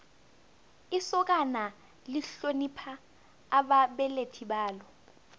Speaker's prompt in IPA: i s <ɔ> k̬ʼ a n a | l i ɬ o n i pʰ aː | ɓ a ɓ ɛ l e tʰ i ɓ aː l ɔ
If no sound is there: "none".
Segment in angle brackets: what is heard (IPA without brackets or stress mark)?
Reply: ɔ